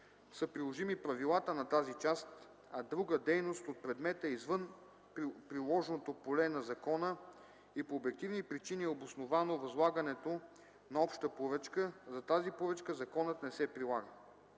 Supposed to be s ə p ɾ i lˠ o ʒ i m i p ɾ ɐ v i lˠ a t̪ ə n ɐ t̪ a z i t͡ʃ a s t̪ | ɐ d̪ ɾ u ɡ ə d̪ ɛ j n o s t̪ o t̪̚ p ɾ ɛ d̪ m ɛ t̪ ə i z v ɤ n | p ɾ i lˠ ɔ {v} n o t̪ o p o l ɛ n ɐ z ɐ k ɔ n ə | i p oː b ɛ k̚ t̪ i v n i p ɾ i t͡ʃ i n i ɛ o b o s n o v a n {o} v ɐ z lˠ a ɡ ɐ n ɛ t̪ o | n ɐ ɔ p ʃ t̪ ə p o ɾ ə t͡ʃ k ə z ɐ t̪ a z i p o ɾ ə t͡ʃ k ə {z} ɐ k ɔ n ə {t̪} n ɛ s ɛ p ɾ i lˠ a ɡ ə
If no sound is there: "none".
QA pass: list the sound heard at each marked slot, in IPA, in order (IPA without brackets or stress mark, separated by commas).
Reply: ʒ, o, z, t̪